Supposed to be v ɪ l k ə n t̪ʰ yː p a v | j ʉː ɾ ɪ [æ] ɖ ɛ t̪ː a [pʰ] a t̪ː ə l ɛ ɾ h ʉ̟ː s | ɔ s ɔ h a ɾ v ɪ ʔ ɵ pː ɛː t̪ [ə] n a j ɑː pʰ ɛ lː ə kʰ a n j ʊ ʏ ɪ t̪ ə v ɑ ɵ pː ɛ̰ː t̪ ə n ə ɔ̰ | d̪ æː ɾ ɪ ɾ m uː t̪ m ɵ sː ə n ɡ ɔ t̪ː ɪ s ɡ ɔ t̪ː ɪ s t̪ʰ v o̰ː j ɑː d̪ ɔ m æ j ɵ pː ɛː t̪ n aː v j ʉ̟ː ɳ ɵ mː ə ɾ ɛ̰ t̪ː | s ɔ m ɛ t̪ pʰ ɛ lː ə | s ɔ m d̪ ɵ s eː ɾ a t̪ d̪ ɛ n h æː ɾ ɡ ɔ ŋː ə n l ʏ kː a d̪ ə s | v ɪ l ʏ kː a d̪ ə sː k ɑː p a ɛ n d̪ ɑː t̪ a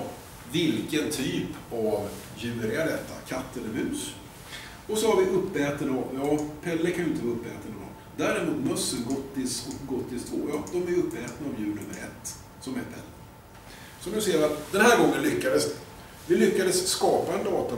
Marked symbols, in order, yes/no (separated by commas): no, no, yes